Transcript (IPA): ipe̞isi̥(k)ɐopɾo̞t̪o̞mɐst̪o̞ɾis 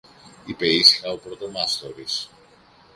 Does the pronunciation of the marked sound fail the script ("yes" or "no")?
yes